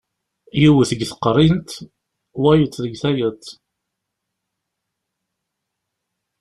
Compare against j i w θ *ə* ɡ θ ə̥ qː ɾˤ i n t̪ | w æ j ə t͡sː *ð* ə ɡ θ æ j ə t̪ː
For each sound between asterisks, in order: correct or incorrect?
correct, correct

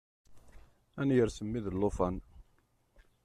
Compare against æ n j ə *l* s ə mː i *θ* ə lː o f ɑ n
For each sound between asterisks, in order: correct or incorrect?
incorrect: ɾ, incorrect: ð

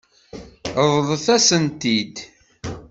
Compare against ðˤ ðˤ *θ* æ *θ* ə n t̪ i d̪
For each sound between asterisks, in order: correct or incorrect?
correct, incorrect: s

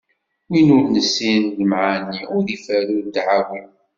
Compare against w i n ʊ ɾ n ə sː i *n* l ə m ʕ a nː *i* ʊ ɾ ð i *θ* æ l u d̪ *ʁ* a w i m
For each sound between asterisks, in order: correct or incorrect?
correct, correct, incorrect: f, incorrect: ʕ

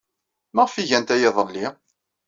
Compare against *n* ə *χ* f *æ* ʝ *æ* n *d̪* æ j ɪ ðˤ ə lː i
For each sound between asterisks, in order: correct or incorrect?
incorrect: m, incorrect: ʁ, incorrect: i, correct, incorrect: t̪

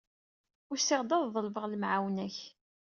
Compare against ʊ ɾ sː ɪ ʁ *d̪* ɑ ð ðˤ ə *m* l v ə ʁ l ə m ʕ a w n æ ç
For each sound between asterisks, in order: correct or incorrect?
correct, incorrect: none

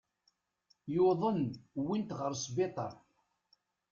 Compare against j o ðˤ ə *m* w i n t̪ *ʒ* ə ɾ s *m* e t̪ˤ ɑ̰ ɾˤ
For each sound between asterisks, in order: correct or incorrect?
incorrect: n, incorrect: ʁ, incorrect: b

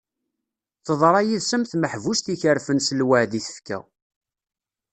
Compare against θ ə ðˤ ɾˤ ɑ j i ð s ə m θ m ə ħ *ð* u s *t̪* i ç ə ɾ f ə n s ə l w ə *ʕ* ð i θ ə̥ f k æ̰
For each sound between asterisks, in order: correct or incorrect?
incorrect: v, correct, correct

